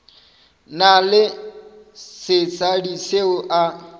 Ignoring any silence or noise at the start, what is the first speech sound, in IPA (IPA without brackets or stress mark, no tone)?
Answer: n